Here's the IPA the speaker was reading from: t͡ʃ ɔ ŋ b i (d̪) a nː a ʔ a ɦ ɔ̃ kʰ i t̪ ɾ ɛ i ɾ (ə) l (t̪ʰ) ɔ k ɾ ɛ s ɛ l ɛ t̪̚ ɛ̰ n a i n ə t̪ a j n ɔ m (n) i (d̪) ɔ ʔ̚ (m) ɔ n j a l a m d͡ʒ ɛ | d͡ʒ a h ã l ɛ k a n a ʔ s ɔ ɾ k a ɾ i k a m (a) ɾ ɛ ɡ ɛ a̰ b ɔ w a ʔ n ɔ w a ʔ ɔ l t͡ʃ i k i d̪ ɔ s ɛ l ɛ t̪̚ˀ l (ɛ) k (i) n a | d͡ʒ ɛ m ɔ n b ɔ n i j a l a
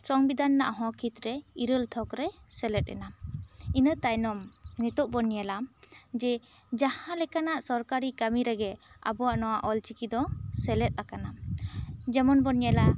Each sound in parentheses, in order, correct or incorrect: correct, correct, correct, correct, incorrect, incorrect, incorrect, incorrect, incorrect

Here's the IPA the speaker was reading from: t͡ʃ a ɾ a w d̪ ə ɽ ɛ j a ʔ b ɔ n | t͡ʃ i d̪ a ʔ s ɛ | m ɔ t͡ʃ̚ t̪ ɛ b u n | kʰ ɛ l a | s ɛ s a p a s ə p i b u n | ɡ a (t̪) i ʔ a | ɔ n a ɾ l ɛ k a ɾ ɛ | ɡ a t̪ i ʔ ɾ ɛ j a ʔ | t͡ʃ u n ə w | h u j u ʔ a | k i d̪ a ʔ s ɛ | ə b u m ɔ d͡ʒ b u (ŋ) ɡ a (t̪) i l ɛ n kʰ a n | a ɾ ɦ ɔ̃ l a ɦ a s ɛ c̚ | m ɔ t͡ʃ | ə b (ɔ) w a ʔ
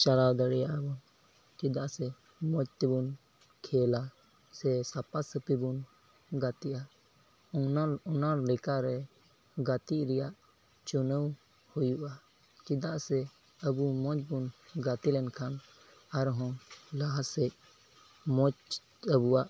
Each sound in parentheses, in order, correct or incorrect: correct, incorrect, correct, incorrect

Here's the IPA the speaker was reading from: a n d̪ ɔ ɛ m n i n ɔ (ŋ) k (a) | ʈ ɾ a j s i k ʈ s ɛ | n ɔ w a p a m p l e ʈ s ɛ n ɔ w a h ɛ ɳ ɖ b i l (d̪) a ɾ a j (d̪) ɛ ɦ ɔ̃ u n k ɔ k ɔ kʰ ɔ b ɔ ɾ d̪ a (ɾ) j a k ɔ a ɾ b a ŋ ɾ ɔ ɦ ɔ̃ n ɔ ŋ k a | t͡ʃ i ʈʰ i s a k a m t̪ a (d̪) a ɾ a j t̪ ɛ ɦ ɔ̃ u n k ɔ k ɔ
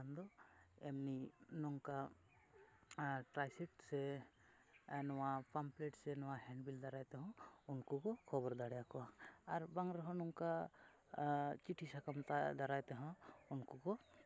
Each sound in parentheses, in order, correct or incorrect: correct, correct, correct, incorrect, incorrect, correct

